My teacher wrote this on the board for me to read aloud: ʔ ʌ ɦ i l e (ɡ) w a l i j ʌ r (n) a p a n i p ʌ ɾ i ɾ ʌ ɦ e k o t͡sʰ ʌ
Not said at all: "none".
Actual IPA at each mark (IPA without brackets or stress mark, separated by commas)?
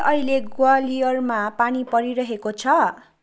ɡ, m